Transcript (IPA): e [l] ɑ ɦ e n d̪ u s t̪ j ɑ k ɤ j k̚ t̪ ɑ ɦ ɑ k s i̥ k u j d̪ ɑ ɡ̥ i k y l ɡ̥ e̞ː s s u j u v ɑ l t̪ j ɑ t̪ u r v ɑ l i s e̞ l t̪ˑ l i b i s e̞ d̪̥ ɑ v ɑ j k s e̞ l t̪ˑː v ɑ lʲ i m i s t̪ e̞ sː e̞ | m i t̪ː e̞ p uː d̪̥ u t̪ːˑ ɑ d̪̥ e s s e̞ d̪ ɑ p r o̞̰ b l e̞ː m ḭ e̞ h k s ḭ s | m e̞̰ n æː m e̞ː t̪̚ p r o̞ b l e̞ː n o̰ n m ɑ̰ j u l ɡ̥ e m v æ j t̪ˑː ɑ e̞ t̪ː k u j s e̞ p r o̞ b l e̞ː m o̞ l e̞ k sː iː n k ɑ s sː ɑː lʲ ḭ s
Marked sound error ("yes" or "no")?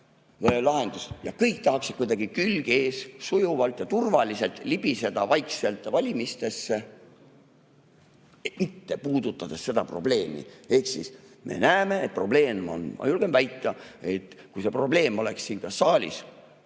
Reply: no